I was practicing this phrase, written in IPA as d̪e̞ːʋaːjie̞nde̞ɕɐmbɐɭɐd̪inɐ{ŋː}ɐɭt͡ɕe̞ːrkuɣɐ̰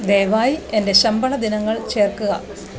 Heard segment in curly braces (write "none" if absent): ŋː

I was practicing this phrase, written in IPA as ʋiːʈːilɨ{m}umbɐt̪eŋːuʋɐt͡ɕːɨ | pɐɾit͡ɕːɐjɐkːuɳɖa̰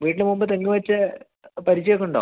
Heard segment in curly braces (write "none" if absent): m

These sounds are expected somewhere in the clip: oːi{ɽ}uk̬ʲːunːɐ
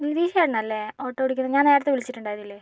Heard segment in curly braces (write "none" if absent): ɽ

